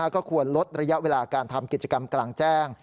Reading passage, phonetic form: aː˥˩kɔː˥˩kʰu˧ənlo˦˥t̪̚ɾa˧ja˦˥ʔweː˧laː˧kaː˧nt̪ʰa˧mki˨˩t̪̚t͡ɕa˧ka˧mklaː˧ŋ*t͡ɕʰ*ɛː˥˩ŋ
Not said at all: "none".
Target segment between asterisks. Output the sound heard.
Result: t͡ɕ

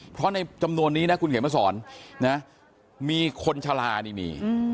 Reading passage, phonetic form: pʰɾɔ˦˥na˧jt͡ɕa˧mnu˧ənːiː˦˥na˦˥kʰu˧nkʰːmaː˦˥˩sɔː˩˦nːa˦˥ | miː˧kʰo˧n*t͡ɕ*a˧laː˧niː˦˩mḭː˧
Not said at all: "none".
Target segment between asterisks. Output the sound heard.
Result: t͡ɕʰ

